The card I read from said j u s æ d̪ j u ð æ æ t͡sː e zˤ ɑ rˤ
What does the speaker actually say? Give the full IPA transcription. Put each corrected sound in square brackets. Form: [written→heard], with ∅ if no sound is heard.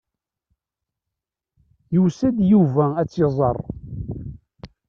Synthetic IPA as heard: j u s æ d̪ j u [ð→v] æ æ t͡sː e zˤ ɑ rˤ